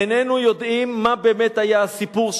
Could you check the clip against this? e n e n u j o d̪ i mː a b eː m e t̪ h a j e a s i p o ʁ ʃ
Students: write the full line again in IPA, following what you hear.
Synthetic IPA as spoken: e n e n u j o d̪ i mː a b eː m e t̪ h a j a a s i p u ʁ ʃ

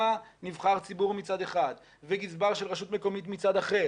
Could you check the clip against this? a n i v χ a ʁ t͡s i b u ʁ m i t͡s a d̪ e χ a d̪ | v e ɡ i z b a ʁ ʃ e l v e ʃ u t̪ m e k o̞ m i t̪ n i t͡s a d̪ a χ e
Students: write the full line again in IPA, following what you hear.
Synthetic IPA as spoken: a n i v χ a ʁ t͡s i b u ʁ m i t͡s a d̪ e χ a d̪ | v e ɡ i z b a ʁ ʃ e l ʁ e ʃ u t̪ m e k o̞ m i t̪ m i t͡s a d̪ a χ e

